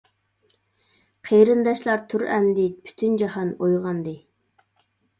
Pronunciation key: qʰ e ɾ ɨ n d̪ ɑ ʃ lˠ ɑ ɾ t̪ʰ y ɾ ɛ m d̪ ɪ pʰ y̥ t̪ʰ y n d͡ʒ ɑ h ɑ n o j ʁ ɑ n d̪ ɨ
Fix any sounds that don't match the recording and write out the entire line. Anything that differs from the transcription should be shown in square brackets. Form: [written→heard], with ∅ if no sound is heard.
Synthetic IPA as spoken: qʰ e ɾ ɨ n d̪ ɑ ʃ lˠ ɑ ɾ t̪ʰ y ɾ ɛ m d̪ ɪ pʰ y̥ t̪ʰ y n d͡ʒ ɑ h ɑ n o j ʁ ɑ n d̪ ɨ